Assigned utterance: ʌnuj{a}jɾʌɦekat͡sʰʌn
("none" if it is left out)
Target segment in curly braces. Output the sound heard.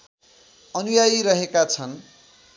a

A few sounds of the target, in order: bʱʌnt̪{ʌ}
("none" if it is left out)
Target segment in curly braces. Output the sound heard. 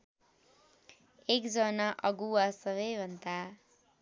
a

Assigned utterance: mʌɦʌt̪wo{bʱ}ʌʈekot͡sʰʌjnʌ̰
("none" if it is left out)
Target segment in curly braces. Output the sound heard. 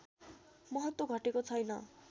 ɡʱ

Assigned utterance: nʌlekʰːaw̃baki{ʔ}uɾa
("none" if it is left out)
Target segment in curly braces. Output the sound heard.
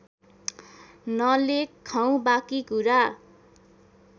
k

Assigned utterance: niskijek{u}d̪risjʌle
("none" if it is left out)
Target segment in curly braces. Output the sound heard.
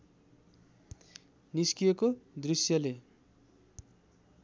o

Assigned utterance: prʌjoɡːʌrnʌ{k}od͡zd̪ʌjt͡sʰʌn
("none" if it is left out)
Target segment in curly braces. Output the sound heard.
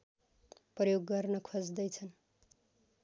kʰ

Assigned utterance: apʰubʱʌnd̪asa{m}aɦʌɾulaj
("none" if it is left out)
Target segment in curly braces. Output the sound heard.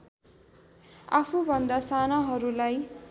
n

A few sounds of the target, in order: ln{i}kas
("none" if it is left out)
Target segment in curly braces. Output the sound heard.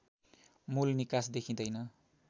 i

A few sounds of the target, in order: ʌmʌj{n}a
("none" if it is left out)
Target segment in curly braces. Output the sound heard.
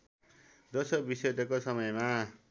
m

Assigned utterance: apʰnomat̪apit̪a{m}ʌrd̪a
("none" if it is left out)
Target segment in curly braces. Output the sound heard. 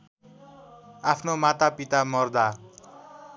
m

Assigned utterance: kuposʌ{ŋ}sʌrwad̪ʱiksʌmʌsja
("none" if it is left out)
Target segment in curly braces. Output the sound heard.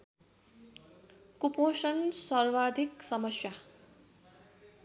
n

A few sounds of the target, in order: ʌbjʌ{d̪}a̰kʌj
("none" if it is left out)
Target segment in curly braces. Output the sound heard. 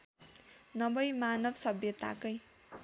t̪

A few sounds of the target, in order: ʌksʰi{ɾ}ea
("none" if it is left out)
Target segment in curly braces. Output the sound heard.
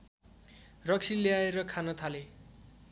l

